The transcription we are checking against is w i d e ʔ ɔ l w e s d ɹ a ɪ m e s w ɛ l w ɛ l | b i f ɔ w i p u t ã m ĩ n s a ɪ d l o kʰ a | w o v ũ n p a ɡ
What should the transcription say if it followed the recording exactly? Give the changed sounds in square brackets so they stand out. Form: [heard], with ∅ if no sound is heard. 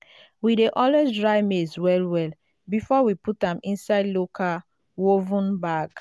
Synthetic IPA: w i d e ʔ ɔ l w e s d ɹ a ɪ m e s w ɛ l w ɛ l | b i f ɔ w i p u t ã m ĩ n s a ɪ d l o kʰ a | w o v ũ n [b] a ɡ